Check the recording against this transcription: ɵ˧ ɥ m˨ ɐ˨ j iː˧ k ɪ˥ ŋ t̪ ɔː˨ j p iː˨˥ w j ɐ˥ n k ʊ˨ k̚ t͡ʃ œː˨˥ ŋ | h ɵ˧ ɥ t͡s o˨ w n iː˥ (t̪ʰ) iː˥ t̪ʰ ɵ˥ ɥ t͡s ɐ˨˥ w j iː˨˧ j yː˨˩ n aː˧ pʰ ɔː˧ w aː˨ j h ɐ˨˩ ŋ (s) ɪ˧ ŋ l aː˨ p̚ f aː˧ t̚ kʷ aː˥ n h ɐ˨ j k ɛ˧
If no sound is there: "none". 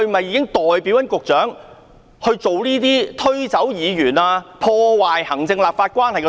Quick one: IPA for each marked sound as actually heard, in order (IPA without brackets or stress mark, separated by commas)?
t̪, t͡s